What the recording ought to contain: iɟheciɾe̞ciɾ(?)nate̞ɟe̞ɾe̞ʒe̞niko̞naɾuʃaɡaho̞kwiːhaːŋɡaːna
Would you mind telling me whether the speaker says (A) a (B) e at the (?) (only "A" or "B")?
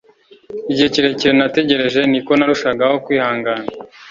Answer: B